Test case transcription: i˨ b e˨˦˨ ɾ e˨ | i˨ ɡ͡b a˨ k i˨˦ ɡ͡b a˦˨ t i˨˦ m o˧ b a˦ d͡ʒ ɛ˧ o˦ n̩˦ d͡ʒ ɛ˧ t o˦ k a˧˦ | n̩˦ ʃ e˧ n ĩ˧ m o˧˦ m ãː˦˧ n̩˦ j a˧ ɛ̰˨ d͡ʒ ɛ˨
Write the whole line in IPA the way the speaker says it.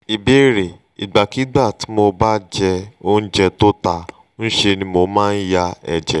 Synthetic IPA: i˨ b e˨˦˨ ɾ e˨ | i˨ ɡ͡b a˨ k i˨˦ ɡ͡b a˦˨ t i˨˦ m o˧ b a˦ d͡ʒ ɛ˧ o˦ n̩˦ d͡ʒ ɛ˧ t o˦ t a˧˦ | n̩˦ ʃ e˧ n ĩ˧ m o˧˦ m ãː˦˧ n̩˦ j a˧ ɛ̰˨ d͡ʒ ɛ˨